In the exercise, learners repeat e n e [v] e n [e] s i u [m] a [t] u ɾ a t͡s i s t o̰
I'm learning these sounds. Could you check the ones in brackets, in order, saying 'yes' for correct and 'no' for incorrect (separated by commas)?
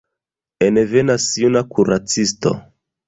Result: yes, no, no, no